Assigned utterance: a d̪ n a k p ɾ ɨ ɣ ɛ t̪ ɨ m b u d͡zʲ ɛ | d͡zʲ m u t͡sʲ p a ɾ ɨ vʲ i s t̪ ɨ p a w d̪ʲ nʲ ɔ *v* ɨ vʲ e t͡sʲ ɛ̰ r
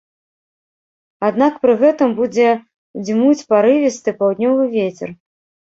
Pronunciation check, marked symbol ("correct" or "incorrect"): correct